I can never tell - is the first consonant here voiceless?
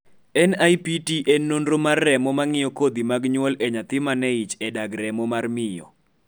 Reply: no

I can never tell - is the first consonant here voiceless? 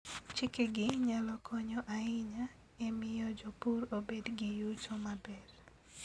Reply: yes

